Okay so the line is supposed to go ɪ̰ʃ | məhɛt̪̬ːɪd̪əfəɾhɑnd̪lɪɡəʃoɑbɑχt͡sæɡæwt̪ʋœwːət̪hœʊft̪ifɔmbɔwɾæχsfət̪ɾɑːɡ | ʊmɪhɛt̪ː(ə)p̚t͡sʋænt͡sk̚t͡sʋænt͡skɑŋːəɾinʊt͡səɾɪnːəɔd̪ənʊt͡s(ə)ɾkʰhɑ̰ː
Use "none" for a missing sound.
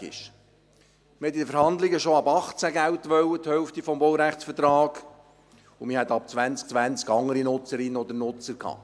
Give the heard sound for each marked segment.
ɑ, ə

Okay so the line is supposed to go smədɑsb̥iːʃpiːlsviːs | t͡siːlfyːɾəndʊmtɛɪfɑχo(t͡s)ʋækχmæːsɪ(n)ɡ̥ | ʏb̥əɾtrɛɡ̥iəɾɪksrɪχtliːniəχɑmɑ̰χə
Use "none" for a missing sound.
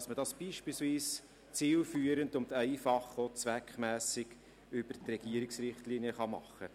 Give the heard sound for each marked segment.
t͡s, none

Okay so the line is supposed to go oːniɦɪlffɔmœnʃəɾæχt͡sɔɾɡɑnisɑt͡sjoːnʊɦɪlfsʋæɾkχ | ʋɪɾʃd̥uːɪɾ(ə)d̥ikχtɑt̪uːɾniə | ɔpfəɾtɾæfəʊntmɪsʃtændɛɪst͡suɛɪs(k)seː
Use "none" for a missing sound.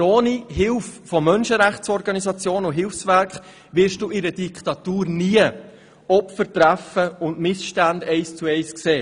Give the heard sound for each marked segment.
ə, k

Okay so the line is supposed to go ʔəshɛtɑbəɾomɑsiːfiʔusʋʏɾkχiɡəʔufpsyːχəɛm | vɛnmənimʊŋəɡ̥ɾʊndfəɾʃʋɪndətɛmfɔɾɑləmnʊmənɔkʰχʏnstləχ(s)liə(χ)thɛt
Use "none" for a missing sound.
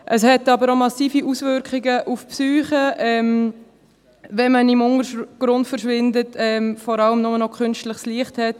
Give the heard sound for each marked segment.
s, χ

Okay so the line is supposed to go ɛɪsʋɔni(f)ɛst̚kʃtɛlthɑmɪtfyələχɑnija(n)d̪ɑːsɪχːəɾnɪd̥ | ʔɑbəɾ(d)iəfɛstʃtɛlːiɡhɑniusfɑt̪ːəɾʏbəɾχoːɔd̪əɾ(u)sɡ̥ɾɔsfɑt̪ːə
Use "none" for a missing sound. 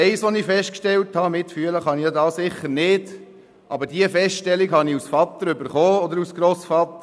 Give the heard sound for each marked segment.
f, none, d, u

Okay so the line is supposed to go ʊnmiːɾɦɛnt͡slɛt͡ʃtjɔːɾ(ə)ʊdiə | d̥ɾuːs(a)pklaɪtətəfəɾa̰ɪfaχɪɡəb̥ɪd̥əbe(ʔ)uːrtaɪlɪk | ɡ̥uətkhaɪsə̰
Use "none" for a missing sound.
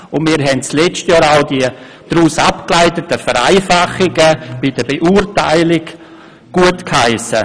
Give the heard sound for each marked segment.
a, a, ʔ

